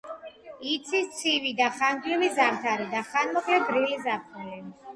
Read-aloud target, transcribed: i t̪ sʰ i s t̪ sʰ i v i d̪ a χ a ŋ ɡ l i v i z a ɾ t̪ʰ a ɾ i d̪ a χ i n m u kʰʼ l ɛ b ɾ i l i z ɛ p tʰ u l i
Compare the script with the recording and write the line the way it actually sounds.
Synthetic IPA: i t̪ sʰ i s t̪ sʰ i v i d̪ a χ a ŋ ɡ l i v i z a ɾ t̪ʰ a ɾ i d̪ a χ a n m ɔ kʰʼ l ɛ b ɾ i l i z a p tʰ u l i